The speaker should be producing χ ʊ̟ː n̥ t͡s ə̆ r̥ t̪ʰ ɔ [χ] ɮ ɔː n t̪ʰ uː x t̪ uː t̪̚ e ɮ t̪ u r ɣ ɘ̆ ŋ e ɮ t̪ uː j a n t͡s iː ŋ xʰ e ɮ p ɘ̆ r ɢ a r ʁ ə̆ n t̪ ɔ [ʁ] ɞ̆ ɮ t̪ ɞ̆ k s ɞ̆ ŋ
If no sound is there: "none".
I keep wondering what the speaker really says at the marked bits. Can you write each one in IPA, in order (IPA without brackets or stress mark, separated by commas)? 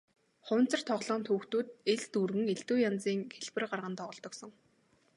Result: ʁ, ʁ